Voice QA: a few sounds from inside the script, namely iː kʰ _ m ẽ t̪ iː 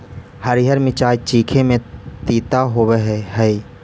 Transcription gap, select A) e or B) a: A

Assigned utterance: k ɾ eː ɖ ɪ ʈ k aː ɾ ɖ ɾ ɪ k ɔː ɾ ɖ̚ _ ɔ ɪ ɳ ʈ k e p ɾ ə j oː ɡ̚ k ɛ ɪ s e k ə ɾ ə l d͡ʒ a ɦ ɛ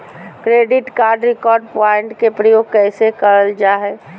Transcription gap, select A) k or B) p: B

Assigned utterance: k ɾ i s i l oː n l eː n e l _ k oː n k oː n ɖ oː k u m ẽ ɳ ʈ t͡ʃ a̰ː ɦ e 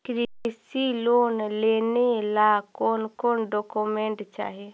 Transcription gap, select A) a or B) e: A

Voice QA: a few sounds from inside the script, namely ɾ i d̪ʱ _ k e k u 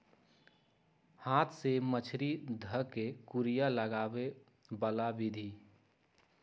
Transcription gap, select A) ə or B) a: A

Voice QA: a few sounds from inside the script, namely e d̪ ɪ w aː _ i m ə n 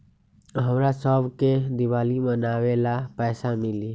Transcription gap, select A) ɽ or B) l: B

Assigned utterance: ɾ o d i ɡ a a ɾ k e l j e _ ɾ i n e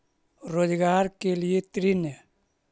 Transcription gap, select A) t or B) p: A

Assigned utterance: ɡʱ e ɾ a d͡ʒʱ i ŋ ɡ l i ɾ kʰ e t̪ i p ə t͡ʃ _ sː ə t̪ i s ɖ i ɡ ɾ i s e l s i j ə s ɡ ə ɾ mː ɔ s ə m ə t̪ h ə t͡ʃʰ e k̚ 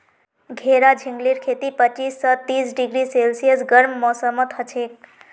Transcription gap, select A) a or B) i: B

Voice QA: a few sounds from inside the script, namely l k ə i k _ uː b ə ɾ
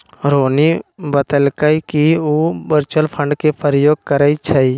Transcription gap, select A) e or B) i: B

